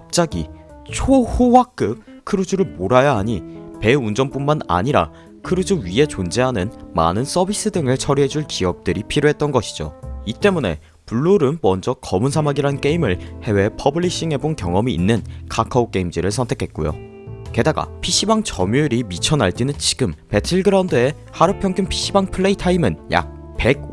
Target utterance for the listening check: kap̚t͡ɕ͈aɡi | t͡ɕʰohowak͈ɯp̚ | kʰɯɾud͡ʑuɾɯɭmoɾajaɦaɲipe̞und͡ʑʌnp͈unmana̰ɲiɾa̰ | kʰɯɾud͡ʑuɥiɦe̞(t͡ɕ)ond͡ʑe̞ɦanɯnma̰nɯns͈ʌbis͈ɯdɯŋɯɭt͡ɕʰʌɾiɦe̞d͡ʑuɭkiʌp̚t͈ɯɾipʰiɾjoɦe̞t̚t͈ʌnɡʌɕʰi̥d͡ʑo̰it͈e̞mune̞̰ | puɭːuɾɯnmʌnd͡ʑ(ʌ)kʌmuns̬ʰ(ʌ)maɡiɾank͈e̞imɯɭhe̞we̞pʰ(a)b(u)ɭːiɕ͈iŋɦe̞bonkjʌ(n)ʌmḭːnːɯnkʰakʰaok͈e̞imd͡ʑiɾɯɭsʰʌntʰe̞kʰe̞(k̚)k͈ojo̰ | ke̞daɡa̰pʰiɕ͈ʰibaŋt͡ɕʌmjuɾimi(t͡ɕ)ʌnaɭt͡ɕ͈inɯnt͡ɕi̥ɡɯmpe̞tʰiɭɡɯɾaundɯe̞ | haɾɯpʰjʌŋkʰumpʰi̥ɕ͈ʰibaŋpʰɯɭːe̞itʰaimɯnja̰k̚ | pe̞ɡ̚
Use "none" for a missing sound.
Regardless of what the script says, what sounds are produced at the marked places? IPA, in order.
t͡ɕ, ʌ, a, ʌ, ɯ, ŋ, t̚, t͡ɕʰ

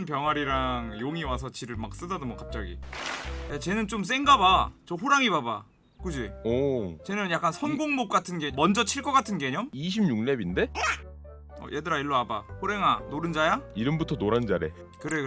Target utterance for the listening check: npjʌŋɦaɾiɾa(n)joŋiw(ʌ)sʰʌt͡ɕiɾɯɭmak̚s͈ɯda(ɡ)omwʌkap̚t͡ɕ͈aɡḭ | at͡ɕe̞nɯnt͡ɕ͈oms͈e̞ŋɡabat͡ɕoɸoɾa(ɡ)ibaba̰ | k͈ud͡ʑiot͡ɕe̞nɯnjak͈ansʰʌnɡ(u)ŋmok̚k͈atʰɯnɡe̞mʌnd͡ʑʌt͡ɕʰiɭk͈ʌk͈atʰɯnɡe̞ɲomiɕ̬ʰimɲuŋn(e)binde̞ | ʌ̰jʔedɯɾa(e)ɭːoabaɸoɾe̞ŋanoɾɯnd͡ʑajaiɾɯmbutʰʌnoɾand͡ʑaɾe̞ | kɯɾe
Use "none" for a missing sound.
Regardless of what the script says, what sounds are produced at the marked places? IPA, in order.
ŋ, a, d, ŋ, o, e, i

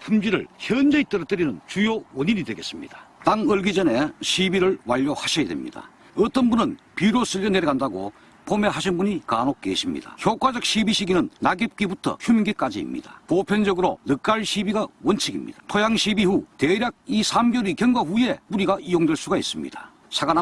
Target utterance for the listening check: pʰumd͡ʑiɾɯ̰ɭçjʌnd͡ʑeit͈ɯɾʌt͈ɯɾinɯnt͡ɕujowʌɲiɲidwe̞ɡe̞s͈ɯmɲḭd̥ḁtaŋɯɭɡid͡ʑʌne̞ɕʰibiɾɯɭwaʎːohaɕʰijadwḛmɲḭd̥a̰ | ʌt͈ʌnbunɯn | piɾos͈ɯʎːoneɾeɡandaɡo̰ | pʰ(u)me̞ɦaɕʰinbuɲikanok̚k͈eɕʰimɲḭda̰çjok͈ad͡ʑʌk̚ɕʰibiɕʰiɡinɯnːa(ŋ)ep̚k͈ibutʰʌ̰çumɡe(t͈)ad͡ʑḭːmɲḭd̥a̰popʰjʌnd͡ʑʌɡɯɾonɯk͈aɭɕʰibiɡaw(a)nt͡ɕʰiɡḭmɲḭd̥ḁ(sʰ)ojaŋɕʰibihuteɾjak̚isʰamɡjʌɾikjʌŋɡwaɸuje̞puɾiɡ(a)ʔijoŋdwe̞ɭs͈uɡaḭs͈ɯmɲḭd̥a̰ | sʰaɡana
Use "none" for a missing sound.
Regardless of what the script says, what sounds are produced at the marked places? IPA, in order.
o, ɡ, k͈, ʌ, tʰ, a

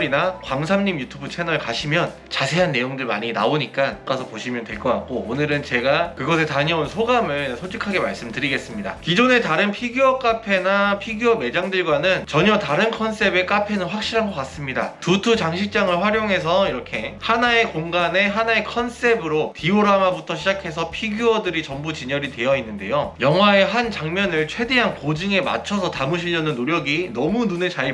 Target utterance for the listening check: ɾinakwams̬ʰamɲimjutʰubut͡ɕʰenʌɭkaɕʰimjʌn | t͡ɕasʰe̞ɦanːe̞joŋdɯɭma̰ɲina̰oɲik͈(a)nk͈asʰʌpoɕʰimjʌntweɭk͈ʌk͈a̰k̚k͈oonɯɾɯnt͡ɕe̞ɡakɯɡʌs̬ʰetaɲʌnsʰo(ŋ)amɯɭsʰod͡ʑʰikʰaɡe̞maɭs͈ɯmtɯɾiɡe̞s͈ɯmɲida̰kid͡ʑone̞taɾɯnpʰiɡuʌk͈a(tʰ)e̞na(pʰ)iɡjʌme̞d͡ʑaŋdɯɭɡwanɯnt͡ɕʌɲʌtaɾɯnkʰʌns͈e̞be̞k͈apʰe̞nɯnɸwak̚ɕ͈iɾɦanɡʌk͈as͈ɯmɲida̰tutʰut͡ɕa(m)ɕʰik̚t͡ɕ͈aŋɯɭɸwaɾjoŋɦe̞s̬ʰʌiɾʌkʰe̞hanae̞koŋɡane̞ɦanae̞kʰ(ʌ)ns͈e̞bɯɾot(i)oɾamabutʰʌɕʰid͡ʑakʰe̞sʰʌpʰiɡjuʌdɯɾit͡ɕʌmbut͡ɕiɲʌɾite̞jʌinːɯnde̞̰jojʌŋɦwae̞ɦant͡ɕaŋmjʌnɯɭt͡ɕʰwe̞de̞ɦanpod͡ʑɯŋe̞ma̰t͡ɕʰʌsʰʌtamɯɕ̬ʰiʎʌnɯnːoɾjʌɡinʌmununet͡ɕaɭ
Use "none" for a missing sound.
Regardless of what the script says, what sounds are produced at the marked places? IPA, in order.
a, ɡ, pʰ, pʰ, ŋ, ʌ, i

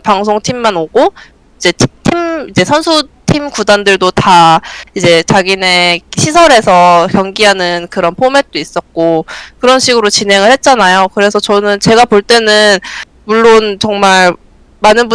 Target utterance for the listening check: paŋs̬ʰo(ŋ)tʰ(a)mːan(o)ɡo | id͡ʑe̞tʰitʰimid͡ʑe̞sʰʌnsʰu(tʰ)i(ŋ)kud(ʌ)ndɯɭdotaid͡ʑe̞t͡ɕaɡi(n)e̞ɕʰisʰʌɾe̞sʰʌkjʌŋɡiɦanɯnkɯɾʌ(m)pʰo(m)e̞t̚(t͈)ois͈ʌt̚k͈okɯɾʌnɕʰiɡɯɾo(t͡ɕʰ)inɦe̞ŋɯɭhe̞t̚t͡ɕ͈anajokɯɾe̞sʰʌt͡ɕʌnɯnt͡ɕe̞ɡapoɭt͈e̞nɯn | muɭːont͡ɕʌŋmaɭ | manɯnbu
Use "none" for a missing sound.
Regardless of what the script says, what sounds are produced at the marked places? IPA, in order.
ŋ, i, o, tʰ, m, a, n, n, m, t͈, t͡ɕ

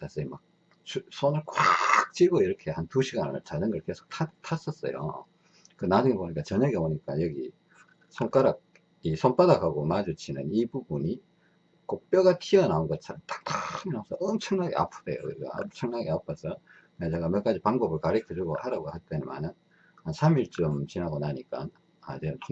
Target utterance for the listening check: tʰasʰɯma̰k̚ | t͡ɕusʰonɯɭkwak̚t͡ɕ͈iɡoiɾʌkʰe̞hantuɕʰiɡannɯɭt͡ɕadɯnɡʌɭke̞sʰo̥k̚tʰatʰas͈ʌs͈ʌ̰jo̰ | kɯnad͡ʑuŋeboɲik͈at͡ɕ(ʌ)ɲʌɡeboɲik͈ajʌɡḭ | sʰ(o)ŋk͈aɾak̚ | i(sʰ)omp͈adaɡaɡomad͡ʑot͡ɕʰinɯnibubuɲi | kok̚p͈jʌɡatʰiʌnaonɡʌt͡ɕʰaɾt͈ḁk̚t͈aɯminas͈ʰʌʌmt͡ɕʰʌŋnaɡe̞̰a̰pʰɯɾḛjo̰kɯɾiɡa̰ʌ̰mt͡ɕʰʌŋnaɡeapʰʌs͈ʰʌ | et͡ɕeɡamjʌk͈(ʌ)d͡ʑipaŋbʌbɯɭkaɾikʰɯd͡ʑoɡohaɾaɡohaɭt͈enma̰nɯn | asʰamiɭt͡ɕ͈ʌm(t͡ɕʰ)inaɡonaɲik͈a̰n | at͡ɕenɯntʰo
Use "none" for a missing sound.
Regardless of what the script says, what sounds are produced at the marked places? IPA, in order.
ʌ, o, sʰ, a, t͡ɕ

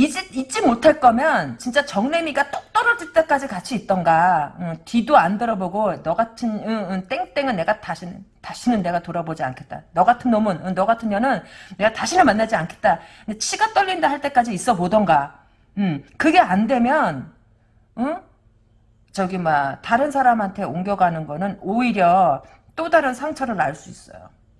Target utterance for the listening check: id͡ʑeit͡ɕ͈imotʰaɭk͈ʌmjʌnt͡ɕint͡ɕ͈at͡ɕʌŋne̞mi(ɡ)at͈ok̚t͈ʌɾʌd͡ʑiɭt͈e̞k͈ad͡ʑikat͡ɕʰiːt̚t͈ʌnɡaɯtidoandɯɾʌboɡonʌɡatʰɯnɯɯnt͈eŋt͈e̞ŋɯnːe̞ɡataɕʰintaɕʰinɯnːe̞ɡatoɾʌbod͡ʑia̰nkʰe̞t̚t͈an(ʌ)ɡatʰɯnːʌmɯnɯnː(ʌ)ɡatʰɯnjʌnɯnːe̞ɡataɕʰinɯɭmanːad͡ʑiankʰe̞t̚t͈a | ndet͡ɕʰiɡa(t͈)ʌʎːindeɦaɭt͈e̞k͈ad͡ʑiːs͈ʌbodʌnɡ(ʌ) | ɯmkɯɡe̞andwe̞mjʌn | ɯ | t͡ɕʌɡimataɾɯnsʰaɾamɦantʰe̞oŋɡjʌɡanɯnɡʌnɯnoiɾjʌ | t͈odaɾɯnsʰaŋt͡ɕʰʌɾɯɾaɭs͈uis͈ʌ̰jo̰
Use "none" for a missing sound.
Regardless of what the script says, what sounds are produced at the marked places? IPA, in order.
ɡ, ʌ, ʌ, t͈, a

